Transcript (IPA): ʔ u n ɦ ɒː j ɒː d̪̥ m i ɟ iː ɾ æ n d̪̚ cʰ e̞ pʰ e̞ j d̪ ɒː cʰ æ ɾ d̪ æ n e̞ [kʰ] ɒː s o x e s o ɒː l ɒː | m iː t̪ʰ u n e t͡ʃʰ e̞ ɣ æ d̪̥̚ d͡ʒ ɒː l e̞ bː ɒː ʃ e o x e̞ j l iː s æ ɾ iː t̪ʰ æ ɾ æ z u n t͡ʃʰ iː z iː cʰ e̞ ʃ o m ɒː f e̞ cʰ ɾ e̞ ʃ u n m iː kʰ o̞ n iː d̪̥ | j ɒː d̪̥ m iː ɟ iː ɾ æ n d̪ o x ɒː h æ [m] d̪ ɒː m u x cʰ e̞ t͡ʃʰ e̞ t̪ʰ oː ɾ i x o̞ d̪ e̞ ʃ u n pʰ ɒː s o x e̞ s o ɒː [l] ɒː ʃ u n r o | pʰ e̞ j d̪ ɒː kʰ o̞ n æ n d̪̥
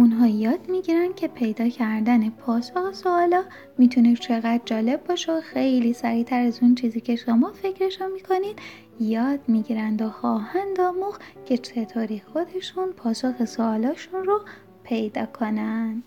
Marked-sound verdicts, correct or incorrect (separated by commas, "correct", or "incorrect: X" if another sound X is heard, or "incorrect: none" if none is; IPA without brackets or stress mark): incorrect: pʰ, incorrect: n, correct